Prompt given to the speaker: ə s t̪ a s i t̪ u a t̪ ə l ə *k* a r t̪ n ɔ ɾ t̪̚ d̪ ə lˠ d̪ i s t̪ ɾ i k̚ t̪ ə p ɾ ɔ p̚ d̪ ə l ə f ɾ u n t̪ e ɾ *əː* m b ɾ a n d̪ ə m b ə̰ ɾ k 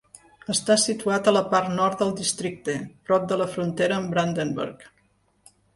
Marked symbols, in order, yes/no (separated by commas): no, yes